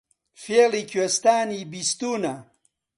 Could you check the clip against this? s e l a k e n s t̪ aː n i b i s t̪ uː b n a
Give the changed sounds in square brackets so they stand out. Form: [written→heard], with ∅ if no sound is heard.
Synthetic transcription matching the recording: [s→f] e l [a→i] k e [n→∅] s t̪ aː n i b i s t̪ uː [b→∅] n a